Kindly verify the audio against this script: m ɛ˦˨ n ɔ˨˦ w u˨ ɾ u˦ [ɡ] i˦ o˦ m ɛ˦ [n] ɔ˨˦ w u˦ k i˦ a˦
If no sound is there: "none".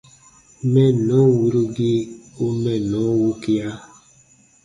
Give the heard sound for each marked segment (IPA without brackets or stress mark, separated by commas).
ɡ, n